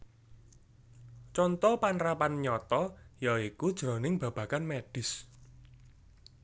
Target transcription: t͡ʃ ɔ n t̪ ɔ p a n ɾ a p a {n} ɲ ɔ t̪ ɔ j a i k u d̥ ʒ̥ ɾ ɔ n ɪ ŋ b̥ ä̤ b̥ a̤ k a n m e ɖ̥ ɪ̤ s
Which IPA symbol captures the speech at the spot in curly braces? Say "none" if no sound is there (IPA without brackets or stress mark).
n